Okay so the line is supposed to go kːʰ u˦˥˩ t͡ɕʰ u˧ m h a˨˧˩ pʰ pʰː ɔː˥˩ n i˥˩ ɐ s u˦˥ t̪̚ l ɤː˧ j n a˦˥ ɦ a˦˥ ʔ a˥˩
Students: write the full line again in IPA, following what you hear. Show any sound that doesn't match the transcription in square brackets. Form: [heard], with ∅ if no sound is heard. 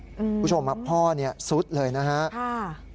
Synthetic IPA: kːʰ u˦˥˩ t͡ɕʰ [o˧] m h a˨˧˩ [p] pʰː ɔː˥˩ n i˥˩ ɐ s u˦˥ t̪̚ l ɤː˧ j n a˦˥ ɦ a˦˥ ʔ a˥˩